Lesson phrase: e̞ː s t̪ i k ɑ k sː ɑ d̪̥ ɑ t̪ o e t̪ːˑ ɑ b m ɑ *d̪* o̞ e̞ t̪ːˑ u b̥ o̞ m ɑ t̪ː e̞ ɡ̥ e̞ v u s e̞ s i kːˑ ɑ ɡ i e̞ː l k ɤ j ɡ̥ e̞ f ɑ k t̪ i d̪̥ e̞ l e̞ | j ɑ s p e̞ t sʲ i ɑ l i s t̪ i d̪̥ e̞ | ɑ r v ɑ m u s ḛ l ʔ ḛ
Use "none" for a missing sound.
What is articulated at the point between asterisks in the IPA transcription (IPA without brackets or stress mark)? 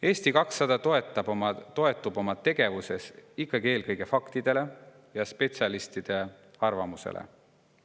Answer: t̪